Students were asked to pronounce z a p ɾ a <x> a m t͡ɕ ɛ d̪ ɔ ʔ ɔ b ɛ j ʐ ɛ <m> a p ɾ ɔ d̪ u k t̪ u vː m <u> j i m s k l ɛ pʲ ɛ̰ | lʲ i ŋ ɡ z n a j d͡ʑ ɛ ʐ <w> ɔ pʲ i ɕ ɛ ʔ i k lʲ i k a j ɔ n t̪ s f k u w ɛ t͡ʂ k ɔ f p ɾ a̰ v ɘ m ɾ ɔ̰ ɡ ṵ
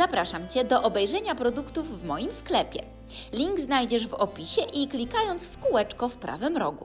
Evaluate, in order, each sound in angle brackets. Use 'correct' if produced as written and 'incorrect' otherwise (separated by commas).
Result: incorrect, incorrect, incorrect, incorrect